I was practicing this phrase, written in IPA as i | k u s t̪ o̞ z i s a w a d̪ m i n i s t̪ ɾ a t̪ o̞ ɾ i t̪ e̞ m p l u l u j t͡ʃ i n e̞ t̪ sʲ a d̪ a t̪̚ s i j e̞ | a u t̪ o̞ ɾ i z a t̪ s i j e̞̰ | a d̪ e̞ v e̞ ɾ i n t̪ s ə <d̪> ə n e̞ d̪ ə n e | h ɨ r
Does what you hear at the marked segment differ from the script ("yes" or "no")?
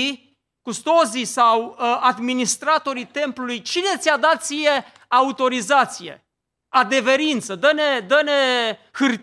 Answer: no